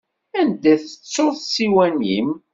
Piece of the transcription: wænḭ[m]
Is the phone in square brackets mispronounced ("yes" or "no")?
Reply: no